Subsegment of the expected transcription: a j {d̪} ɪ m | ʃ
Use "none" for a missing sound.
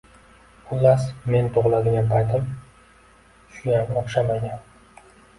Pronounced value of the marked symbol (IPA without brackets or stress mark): t̪